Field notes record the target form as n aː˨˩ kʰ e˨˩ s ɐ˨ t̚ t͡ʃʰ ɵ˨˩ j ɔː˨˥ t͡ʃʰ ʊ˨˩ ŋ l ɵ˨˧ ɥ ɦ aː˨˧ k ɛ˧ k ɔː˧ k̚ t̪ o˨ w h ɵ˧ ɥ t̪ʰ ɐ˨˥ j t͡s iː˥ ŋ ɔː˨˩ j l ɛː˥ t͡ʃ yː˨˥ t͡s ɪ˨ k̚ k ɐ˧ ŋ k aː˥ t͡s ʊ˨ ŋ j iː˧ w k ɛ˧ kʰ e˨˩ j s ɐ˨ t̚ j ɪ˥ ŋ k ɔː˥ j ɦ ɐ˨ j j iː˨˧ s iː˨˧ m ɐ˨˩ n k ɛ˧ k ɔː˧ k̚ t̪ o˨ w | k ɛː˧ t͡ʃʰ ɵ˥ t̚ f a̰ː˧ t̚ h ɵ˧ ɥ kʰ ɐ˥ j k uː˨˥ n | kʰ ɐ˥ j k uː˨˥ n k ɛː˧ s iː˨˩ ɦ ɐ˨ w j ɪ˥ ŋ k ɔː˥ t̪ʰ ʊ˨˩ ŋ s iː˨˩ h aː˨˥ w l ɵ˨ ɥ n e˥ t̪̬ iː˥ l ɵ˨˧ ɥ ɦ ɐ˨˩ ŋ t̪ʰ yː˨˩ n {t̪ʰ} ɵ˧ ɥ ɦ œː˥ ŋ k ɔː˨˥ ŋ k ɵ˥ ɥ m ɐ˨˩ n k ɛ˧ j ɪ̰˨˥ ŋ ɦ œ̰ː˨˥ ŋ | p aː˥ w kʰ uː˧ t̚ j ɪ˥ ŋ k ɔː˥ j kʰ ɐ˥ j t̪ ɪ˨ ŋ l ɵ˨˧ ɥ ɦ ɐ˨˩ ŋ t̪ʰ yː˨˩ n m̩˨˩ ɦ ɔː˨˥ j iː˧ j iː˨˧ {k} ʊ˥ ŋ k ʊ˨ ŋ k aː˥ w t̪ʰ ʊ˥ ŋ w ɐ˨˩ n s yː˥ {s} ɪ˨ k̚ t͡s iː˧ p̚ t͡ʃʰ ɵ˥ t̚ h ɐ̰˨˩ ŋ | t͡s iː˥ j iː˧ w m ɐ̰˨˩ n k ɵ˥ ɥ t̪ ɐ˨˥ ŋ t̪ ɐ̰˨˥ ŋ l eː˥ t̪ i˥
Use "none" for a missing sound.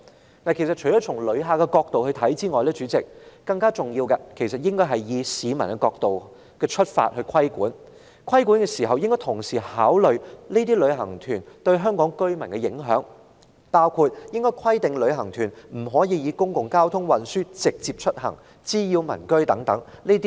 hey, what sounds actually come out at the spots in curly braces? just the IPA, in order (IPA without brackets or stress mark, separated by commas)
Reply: t̪, k, t͡s